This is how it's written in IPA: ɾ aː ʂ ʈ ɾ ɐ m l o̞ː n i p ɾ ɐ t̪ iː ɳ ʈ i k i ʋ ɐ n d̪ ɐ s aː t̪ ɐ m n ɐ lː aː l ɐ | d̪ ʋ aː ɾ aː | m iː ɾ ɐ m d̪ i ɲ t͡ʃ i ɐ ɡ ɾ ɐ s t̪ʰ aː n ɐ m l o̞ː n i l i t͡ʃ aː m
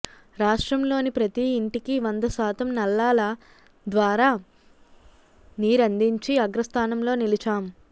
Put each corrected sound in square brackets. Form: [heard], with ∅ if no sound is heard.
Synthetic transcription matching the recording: ɾ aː ʂ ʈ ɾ ɐ m l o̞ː n i p ɾ ɐ t̪ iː ɳ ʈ i k i ʋ ɐ n d̪ ɐ s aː t̪ ɐ m n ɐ lː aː l ɐ | d̪ ʋ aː ɾ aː | [n] iː ɾ ɐ [n] d̪ i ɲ t͡ʃ i ɐ ɡ ɾ ɐ s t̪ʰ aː n ɐ m l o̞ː n i l i t͡ʃ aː m